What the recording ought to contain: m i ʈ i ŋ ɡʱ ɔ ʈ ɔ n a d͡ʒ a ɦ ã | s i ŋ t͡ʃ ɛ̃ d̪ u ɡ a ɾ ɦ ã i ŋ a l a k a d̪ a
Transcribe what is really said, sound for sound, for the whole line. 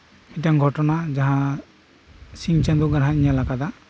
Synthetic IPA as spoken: m i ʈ a ŋ ɡʱ ɔ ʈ ɔ n a d͡ʒ a ɦ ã | s i ŋ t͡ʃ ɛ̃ d̪ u ɡ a ɾ ɦ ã i ɲ a l a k a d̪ a